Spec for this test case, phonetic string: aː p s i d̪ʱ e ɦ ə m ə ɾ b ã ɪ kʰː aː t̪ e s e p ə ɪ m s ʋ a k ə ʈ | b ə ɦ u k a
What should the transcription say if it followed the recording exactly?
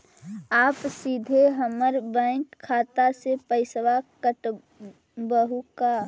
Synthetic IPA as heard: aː p s i d̪ʱ e ɦ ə m ə ɾ b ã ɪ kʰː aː t̪ a s e p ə ɪ s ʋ a k ə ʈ | b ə ɦ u k a